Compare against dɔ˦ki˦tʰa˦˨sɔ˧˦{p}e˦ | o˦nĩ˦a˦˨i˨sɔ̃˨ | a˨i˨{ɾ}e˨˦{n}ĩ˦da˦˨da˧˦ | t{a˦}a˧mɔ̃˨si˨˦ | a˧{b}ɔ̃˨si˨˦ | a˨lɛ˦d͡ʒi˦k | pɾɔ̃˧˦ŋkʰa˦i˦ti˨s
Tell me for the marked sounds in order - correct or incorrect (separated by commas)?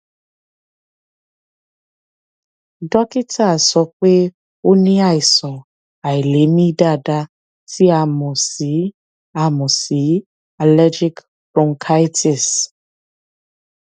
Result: incorrect, incorrect, incorrect, incorrect, incorrect